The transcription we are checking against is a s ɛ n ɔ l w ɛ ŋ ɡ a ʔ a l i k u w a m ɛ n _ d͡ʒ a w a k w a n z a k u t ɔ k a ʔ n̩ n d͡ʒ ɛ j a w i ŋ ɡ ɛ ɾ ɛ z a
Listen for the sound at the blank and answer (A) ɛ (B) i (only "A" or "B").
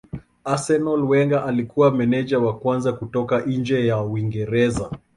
A